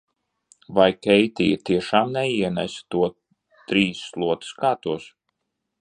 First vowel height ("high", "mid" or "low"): low